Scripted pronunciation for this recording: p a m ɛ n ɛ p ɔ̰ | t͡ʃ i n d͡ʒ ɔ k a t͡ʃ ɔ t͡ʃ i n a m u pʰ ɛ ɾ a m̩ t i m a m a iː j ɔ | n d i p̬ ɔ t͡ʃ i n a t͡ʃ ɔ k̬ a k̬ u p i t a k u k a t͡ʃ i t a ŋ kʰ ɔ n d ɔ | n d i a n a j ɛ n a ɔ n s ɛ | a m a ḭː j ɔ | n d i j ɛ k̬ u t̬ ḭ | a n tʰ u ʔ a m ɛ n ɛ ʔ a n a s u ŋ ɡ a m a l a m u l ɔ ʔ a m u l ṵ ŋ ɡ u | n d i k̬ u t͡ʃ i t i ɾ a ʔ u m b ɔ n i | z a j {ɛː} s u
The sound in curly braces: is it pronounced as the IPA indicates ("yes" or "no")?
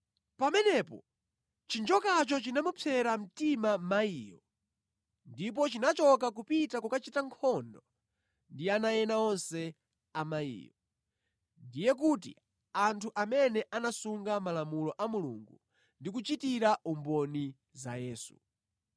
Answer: yes